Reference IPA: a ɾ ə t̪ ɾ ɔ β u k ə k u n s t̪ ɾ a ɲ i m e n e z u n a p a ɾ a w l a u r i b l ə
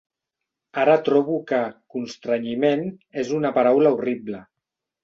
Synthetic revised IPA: a ɾ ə t̪ ɾ ɔ β u k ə k u n s t̪ ɾ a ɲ i m e n e z u n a p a ɾ a w l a u r i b l ə